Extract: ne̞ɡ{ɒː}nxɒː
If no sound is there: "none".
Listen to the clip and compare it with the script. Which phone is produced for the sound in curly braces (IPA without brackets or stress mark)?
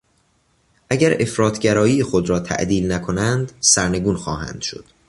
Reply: uː